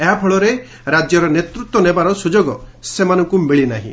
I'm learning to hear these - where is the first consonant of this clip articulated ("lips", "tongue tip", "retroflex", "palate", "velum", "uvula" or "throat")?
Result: throat